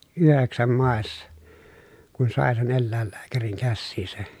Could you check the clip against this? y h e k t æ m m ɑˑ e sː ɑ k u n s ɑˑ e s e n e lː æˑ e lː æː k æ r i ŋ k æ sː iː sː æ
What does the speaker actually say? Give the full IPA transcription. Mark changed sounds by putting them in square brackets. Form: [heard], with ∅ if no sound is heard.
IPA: y h e k [s] æ m m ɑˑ e sː ɑ k u n s ɑˑ e s e n e lː æˑ e lː æː k æ r i ŋ k æ sː iː [s] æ